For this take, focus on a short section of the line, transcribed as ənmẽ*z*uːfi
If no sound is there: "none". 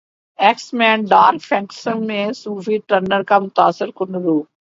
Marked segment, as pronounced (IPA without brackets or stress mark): s